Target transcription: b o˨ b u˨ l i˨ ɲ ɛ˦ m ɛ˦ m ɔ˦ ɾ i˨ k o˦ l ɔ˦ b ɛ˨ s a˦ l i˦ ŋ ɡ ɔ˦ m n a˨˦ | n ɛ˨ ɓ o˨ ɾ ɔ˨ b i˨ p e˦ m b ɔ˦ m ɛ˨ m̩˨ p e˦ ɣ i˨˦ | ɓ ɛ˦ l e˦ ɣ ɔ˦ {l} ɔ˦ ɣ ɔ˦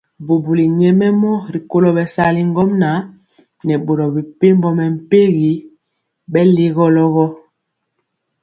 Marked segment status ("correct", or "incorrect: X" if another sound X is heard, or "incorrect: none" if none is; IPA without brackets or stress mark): correct